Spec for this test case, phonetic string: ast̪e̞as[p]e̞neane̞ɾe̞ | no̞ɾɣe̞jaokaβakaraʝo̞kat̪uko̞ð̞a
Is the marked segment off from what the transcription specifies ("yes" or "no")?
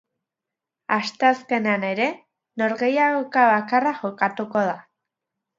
yes